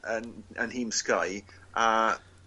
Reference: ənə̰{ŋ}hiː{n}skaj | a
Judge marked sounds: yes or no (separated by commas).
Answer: no, no